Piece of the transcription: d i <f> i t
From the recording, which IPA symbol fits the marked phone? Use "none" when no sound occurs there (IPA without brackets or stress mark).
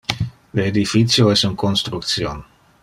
f